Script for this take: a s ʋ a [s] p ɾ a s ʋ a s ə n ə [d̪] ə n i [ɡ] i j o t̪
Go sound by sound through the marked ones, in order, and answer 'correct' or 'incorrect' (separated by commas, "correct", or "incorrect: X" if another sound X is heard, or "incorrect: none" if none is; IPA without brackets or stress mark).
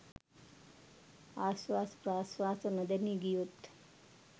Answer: correct, correct, correct